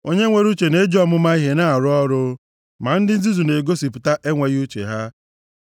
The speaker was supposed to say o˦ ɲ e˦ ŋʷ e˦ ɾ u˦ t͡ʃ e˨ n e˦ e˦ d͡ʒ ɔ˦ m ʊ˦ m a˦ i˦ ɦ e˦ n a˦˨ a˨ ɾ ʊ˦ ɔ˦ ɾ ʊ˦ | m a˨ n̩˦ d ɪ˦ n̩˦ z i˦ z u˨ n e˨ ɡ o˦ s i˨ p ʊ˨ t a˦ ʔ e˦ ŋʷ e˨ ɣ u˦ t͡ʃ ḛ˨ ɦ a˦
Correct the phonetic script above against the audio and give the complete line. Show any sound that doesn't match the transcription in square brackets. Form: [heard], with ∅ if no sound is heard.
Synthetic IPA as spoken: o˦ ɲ e˦ ŋʷ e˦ ɾ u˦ t͡ʃ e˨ n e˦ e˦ d͡ʒ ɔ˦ m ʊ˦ m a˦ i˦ ɦ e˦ n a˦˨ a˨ ɾ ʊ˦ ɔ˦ ɾ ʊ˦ | m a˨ n̩˦ d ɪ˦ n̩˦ z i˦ z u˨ n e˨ ɡ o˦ s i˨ p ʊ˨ t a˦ ʔ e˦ ŋʷ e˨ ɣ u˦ t͡ʃ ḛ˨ ɦ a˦